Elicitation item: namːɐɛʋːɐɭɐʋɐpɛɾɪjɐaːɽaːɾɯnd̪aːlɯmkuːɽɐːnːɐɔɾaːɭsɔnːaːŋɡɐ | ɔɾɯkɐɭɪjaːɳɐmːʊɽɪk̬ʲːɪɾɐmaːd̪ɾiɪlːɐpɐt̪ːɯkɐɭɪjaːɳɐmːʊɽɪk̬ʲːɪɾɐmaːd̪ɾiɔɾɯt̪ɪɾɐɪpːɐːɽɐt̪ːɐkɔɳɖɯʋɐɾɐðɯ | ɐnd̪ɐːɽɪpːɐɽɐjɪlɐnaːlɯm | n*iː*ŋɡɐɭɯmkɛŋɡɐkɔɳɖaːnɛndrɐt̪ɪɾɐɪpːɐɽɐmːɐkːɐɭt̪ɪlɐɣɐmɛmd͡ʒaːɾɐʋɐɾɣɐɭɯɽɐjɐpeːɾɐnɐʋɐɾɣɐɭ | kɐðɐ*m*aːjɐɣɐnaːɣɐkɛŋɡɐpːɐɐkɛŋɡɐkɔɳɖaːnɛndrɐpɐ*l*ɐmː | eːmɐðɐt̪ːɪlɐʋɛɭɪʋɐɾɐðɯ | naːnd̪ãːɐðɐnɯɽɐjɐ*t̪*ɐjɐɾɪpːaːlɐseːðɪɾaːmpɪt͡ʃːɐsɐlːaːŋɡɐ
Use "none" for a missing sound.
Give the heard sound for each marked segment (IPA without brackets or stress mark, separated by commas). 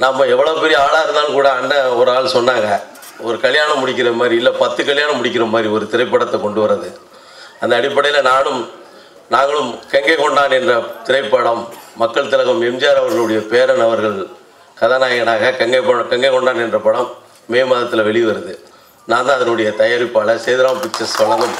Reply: aː, n, ɽ, t̪